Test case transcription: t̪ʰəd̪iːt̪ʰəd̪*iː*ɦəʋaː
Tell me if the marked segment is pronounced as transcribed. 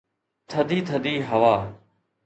yes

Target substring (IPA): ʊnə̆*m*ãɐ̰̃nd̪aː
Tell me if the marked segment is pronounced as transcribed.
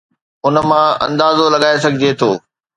yes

